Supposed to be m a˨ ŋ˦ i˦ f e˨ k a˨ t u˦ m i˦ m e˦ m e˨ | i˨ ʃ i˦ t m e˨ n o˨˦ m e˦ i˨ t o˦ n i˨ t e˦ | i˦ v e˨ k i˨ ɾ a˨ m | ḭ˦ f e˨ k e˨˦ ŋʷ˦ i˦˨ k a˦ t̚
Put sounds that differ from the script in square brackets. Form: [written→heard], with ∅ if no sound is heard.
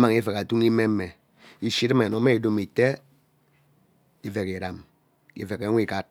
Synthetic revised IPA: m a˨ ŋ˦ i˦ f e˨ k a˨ t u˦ [m→ŋ] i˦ m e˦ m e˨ | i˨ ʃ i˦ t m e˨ n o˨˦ m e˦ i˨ [t→d] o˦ [n→m] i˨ t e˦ | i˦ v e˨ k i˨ ɾ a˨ m | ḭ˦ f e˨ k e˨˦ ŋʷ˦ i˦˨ k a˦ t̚